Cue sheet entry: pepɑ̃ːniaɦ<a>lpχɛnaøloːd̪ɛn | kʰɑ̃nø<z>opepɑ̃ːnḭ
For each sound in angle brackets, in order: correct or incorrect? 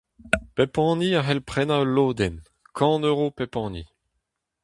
incorrect: ɛ, incorrect: ʁ

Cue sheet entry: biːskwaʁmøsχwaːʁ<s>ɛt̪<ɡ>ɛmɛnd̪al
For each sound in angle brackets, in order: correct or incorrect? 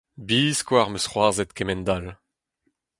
incorrect: z, incorrect: k

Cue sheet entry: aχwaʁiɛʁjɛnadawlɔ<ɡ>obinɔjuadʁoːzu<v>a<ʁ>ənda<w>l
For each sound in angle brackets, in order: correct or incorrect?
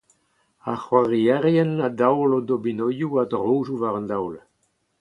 incorrect: d, correct, correct, correct

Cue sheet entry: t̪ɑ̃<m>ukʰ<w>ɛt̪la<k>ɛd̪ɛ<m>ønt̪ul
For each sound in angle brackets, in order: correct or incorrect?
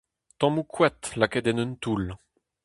correct, correct, correct, incorrect: n

